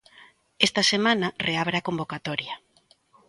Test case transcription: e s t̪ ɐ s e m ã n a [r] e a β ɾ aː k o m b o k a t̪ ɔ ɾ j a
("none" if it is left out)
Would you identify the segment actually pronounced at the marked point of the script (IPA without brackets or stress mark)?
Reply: r